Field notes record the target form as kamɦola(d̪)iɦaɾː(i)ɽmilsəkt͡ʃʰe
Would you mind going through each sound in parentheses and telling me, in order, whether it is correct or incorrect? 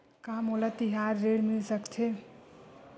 incorrect: t̪, incorrect: e

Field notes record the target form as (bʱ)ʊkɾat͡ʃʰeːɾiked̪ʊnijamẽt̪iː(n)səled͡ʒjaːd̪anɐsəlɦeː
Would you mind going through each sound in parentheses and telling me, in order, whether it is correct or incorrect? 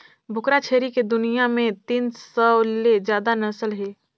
correct, correct

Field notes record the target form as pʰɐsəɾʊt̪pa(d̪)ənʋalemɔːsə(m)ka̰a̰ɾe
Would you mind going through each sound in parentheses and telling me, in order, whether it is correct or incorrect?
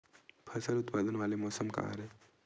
correct, correct

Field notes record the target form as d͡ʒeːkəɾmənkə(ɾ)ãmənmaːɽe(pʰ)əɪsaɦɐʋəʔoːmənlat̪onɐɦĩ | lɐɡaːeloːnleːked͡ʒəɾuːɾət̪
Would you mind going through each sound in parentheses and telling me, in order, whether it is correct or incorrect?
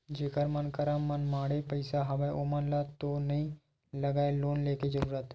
correct, incorrect: p

